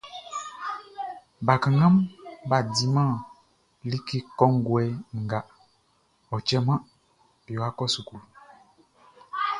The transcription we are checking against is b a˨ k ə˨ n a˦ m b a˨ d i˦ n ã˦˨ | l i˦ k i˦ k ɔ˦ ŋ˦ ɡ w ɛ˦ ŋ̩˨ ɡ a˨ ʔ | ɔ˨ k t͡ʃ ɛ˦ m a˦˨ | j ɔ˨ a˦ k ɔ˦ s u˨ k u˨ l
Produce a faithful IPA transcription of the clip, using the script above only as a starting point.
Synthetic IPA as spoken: b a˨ k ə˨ ŋ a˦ m b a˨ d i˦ m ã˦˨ | l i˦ k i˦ k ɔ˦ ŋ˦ ɡ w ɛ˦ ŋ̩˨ ɡ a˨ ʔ | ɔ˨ t͡ʃ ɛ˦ m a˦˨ | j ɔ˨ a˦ k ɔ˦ s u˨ k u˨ l